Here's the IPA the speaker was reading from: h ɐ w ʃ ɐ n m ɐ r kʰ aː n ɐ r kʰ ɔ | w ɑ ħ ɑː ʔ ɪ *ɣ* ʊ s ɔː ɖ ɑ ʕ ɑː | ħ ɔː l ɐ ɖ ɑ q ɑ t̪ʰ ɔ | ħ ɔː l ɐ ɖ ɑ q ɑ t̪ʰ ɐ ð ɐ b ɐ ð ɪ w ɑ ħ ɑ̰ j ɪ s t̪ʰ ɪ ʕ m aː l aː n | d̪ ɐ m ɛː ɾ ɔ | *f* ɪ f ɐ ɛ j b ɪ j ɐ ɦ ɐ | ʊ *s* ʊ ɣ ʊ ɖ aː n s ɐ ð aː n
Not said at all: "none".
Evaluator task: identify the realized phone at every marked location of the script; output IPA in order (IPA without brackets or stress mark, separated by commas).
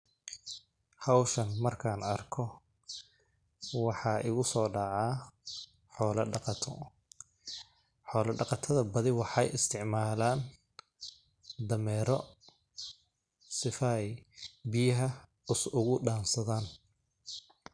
ɣ, s, s